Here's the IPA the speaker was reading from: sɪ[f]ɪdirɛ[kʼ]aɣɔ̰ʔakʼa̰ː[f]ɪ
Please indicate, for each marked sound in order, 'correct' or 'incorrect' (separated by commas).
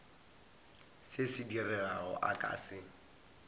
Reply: incorrect, incorrect, incorrect